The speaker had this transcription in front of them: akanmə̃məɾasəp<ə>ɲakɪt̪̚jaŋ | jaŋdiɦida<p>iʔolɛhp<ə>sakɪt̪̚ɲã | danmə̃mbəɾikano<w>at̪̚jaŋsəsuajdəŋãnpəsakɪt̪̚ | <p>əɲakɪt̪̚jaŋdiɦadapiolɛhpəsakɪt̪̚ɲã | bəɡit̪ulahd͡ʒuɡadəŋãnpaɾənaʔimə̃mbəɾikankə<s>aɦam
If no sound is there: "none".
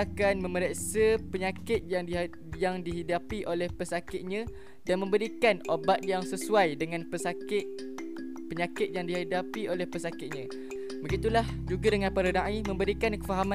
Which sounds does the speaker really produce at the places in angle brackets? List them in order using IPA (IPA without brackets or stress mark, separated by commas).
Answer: ə, p, ə, b, p, f